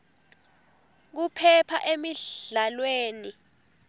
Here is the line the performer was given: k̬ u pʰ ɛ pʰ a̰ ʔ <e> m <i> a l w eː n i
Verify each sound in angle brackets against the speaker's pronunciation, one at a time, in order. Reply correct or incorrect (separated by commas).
correct, correct